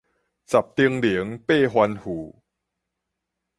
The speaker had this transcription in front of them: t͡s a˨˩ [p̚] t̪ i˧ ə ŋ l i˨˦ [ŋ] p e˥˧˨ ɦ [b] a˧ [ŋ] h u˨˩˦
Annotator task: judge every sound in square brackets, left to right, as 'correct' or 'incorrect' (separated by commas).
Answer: correct, correct, incorrect, incorrect